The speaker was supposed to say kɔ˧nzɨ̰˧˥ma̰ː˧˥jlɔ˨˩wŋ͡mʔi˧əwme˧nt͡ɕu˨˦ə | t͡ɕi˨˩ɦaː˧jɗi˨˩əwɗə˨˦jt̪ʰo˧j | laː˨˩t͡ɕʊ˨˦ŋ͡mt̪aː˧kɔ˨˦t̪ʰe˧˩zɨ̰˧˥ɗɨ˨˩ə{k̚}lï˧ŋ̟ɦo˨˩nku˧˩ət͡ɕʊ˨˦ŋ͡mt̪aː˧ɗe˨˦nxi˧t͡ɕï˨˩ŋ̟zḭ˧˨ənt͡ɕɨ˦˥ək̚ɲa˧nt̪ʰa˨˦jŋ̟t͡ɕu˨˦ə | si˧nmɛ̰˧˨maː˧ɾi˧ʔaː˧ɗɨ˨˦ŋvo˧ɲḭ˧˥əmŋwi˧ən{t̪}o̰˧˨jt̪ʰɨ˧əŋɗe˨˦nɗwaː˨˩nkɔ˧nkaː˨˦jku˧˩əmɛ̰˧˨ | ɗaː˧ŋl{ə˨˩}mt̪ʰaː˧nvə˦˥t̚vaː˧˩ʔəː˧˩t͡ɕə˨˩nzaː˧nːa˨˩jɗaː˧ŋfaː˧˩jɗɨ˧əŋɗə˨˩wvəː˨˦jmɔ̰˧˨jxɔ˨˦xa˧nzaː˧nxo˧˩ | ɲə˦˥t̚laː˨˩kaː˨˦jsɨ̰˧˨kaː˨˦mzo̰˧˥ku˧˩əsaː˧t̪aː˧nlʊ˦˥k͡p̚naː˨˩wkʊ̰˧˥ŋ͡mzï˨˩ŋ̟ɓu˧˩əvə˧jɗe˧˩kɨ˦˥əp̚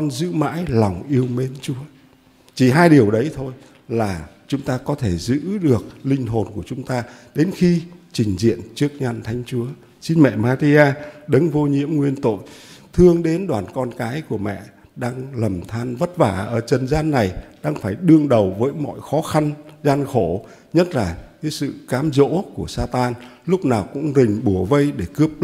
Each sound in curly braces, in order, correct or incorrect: correct, correct, correct

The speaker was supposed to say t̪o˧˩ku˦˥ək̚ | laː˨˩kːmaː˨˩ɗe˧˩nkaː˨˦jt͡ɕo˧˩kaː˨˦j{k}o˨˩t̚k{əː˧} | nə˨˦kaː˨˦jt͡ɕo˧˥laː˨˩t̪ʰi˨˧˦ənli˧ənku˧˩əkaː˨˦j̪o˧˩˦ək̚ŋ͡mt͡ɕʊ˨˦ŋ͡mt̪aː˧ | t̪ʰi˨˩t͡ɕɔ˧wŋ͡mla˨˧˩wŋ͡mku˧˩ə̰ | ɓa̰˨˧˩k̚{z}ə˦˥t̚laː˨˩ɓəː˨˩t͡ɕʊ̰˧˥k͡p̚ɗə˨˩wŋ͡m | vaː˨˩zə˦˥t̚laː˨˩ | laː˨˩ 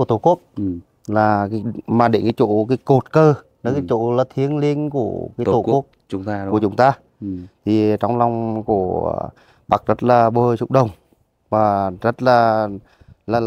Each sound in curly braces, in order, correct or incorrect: correct, correct, correct

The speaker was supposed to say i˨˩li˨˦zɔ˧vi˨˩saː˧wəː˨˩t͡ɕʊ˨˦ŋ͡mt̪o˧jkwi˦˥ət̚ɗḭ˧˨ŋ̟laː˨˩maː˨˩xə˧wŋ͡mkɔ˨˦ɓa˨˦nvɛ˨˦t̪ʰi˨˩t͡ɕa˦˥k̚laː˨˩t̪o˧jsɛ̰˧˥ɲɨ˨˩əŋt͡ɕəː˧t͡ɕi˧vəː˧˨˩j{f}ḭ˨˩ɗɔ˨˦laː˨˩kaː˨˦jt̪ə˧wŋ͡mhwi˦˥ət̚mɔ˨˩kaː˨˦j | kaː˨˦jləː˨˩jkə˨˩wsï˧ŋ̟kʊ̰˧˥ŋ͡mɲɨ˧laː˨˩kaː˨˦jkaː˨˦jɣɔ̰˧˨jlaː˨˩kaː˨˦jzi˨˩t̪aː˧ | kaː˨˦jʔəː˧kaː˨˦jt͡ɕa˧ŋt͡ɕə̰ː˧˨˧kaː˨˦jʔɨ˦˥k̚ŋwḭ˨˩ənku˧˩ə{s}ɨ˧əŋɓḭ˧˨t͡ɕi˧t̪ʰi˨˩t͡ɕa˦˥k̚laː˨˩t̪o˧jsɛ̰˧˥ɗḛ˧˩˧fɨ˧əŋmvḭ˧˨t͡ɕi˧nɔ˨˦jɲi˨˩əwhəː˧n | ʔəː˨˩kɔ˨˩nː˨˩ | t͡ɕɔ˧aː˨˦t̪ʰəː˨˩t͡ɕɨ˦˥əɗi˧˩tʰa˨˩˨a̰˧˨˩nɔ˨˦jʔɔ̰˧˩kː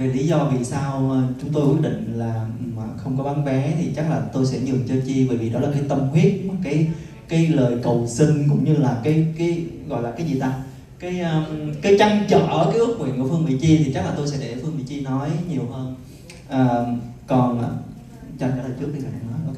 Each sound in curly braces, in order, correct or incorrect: incorrect: v, incorrect: f

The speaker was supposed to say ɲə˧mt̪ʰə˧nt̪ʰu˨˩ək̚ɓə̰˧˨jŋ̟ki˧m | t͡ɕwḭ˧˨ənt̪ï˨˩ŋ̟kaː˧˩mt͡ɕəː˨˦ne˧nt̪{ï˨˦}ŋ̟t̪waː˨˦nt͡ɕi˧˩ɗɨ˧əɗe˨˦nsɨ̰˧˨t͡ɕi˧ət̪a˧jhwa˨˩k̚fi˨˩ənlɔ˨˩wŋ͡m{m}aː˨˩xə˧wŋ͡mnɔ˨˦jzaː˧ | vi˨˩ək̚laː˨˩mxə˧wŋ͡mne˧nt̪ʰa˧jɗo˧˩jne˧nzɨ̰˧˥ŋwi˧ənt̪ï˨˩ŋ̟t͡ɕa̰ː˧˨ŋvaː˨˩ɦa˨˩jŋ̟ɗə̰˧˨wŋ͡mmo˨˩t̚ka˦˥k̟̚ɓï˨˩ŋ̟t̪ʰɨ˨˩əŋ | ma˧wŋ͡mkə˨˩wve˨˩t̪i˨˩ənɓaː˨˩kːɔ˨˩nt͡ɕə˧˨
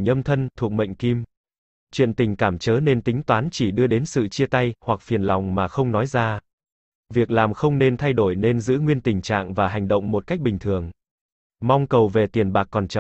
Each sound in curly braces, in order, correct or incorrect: correct, correct

